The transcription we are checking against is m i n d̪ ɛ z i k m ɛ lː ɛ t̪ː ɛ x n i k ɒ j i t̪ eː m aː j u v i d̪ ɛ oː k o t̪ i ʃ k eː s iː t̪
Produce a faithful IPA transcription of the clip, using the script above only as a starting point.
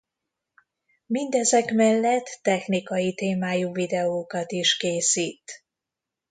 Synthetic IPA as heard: m i n d̪ ɛ z ɛ k m ɛ lː ɛ t̪ː ɛ x n i k ɒ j i t̪ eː m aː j u v i d̪ ɛ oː k ɒ t̪ i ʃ k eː s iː t̪